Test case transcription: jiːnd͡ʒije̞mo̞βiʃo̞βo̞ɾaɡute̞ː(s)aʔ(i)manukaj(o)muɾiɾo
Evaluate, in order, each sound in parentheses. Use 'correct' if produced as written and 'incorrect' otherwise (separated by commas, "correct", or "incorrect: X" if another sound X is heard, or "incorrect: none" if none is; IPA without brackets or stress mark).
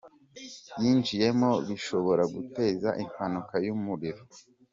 incorrect: z, correct, incorrect: u